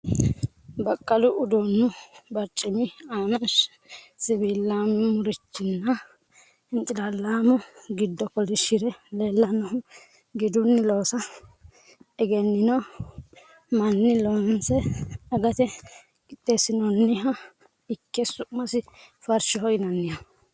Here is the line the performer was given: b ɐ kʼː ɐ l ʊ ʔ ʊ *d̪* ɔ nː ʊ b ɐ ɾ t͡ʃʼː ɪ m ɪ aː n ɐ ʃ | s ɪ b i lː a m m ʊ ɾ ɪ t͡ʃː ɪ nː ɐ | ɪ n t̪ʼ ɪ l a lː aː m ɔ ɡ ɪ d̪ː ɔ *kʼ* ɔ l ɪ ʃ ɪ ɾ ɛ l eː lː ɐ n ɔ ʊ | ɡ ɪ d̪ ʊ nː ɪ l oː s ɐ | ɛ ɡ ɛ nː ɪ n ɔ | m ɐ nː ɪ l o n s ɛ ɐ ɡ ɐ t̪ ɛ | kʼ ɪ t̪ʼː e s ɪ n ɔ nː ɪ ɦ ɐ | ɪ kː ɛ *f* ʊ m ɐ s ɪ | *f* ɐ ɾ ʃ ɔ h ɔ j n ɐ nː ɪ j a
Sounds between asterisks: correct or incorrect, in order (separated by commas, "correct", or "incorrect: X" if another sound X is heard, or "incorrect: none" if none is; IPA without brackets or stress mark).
correct, incorrect: k, incorrect: s, correct